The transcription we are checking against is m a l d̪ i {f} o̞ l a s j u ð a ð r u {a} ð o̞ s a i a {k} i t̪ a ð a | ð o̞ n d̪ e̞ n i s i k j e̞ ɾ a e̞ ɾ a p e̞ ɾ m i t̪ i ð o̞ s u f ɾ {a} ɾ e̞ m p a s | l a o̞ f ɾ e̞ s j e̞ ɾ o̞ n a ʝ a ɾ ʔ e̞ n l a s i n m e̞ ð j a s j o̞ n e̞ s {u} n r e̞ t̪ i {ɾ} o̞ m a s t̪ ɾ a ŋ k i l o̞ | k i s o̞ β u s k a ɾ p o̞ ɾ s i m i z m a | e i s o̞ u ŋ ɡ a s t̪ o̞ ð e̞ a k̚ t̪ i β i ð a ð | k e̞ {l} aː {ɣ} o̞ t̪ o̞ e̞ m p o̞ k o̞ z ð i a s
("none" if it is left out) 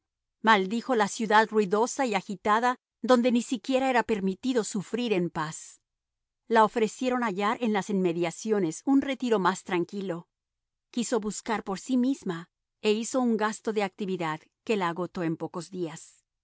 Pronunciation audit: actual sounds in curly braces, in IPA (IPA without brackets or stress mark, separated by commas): x, i, x, i, u, ɾ, l, ɣ